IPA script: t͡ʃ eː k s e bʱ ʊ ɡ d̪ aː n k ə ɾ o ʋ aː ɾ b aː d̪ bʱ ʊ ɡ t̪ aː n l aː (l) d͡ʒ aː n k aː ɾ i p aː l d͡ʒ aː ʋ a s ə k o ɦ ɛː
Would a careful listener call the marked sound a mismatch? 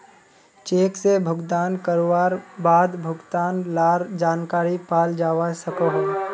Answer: yes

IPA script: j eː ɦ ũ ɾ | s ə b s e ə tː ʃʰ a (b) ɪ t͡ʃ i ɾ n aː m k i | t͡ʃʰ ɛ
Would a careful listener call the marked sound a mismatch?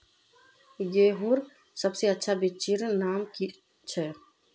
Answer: no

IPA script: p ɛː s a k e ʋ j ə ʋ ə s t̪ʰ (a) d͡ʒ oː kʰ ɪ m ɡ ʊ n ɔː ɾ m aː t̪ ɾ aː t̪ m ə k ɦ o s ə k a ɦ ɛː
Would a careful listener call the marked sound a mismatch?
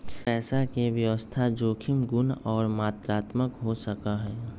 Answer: no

